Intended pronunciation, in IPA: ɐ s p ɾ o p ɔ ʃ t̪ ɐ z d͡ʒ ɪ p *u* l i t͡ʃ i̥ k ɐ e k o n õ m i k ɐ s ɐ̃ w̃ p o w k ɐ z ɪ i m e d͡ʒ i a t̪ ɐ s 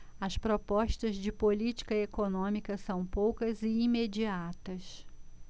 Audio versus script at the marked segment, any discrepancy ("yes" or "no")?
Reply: yes